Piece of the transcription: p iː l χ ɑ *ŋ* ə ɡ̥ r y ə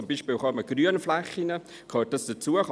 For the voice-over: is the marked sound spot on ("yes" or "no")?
no